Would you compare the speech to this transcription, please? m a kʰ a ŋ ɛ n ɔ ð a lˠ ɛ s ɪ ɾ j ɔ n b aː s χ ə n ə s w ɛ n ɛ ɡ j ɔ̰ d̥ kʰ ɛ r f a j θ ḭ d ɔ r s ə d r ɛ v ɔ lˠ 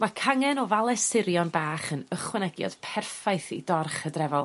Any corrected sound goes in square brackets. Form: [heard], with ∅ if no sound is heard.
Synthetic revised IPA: m a kʰ a ŋ ɛ n ɔ [v] a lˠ ɛ s ɪ ɾ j ɔ n b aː [∅] χ ə n ə [χ] w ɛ n ɛ ɡ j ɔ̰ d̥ [pʰ] ɛ r f a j θ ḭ d ɔ r [χ] ə d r ɛ v ɔ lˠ